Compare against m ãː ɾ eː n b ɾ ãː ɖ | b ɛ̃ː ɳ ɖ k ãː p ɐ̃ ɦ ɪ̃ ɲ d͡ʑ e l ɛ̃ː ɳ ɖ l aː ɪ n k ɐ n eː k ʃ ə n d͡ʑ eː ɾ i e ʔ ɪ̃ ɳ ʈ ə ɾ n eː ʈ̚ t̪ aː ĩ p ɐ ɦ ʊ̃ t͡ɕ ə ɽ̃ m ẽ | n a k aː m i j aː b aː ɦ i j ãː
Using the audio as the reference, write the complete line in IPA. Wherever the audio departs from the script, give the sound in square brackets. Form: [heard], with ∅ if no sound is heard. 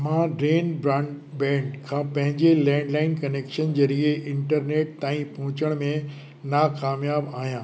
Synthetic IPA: m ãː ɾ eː n b ɾ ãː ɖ | b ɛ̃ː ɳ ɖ [kʰ] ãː p ɐ̃ ɦ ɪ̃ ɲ d͡ʑ e l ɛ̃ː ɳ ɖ l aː ɪ n k ɐ n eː k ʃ ə n d͡ʑ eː ɾ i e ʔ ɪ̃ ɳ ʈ ə ɾ n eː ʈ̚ t̪ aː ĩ p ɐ ɦ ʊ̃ t͡ɕ ə ɽ̃ m ẽ | n a k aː m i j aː b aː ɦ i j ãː